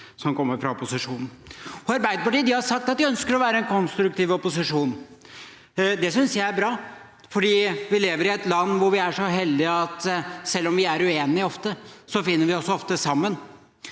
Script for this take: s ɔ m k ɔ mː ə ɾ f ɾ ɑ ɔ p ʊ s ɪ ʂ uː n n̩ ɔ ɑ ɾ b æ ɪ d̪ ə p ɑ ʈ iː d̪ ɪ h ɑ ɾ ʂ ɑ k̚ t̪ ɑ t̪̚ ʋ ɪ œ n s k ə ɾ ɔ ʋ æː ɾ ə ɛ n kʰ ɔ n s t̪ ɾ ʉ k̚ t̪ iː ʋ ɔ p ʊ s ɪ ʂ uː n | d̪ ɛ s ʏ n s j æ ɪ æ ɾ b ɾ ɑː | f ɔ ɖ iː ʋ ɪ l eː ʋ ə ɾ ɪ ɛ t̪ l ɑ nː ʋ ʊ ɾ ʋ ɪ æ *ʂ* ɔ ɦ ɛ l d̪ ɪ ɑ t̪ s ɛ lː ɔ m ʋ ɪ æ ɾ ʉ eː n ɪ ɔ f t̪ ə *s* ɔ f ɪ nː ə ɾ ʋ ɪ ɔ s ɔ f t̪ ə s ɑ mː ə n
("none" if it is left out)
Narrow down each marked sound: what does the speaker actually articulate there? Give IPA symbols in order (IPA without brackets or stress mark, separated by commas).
ʂ, s